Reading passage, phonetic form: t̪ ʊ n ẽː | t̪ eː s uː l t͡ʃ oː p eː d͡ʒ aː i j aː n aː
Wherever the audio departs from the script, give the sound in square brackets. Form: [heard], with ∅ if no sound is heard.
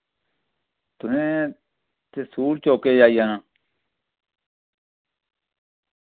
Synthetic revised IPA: t̪ ʊ n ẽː | t̪ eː s uː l t͡ʃ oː [k] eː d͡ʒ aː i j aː n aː